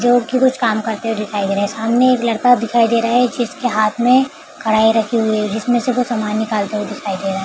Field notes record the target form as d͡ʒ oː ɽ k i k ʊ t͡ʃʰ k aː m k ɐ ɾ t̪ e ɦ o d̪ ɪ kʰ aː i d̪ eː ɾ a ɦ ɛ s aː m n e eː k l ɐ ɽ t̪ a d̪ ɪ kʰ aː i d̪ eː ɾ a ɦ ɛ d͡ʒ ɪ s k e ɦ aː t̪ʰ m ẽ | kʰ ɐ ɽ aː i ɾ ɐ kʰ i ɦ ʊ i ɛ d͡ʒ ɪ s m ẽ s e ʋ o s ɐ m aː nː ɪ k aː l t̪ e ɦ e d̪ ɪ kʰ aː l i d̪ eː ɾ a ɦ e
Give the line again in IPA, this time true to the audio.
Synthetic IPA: d͡ʒ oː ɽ k i k ʊ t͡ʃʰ k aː m k ɐ ɾ t̪ e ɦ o d̪ ɪ kʰ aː i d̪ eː ɾ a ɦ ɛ s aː m n e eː k l ɐ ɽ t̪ a d̪ ɪ kʰ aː i d̪ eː ɾ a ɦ ɛ d͡ʒ ɪ s k e ɦ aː t̪ʰ m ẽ | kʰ ɐ ɽ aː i ɾ ɐ kʰ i ɦ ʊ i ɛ d͡ʒ ɪ s m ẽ s e ʋ o s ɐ m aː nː ɪ k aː l t̪ e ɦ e d̪ ɪ kʰ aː i d̪ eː ɾ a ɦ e